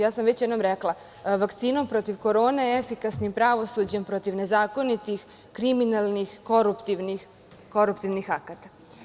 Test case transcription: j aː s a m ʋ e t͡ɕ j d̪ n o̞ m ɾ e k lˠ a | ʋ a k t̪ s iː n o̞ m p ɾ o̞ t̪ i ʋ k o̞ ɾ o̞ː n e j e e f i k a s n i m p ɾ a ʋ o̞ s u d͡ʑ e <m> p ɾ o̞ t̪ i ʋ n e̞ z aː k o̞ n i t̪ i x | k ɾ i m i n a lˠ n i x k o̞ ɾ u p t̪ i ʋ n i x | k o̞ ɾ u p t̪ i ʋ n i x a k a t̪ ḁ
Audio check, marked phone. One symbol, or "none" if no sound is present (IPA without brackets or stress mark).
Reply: m